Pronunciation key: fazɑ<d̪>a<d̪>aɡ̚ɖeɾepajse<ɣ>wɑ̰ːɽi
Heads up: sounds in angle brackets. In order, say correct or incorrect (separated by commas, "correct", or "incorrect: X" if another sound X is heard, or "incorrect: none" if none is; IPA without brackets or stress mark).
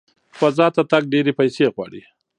incorrect: t̪, incorrect: t̪, correct